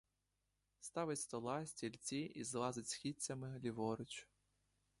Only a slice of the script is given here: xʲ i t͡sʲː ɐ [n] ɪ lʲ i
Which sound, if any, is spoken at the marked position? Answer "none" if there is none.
m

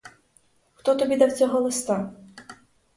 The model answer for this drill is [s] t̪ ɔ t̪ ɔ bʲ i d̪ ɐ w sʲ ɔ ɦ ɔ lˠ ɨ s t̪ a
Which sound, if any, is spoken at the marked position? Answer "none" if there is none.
x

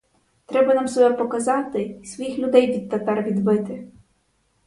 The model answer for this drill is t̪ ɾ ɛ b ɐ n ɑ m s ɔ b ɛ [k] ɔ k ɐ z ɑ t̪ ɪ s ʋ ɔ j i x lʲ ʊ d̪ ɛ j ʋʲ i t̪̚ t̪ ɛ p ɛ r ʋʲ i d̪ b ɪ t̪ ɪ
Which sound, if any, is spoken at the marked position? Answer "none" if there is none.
p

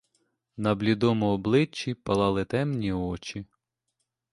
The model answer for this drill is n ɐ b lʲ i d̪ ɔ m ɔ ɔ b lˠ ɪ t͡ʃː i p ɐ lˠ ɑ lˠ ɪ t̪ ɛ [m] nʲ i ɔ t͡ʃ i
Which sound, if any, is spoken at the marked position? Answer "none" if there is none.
m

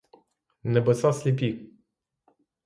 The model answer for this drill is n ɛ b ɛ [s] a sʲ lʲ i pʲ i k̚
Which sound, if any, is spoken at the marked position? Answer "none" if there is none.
s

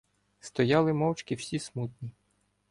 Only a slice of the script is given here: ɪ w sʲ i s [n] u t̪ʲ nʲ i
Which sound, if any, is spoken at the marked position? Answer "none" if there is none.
m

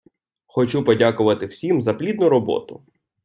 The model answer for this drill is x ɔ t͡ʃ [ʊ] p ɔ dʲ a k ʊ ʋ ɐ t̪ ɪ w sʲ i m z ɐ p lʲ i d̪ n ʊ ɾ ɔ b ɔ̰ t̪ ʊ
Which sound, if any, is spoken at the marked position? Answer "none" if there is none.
u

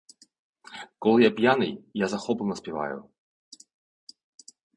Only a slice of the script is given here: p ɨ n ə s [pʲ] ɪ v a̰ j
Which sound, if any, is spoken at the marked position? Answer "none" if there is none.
pʲ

